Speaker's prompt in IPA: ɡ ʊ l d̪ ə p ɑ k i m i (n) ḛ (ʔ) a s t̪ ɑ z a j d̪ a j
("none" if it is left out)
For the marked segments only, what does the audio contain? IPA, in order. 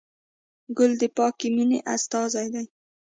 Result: n, ʔ

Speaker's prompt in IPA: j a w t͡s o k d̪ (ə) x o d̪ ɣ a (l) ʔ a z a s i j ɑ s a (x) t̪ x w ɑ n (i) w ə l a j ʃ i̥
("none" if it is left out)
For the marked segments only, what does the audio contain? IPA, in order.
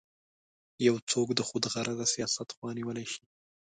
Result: ə, ɾ, none, i

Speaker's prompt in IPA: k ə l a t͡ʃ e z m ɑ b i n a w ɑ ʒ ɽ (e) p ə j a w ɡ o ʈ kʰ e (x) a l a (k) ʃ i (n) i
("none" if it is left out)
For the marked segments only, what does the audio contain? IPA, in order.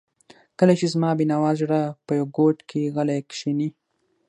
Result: a, ɣ, k, n

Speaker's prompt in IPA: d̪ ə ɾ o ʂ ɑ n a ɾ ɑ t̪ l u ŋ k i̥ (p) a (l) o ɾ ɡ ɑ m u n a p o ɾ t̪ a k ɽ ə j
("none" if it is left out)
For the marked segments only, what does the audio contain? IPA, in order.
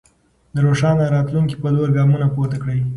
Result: p, l

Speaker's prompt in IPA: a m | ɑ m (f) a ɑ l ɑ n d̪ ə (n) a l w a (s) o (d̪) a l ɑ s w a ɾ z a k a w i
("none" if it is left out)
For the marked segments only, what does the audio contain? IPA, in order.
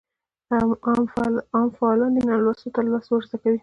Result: f, n, s, t̪

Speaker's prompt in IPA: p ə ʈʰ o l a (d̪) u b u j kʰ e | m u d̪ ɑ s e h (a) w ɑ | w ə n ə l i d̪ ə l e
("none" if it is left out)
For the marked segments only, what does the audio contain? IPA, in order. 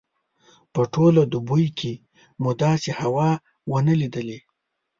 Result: d̪, a

